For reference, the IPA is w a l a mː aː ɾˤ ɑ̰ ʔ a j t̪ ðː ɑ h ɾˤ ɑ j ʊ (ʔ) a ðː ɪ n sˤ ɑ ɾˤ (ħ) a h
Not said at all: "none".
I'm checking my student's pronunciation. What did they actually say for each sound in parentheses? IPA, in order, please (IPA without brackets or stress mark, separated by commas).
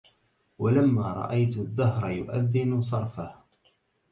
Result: ʔ, f